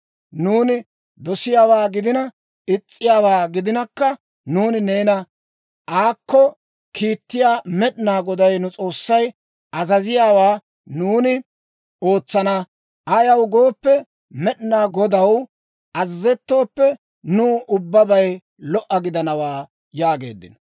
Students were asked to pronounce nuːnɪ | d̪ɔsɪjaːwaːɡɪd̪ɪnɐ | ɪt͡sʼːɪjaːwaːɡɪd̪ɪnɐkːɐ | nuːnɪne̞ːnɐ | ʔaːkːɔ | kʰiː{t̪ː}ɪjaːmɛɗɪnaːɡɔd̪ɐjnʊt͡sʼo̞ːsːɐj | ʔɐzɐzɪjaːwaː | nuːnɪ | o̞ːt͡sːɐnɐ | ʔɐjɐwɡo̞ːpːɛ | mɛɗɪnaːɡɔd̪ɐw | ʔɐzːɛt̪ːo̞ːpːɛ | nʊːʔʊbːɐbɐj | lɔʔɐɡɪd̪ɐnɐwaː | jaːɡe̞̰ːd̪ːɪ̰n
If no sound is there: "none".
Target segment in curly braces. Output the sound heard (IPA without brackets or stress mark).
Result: t̪ː